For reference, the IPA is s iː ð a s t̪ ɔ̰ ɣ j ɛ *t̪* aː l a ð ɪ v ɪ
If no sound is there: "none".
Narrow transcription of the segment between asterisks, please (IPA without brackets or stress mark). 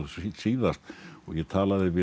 t̪ʰ